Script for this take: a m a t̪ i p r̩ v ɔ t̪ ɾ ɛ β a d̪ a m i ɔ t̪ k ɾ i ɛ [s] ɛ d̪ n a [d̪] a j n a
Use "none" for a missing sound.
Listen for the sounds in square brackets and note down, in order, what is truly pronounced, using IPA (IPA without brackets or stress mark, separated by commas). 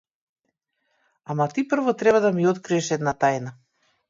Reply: ʃ, t̪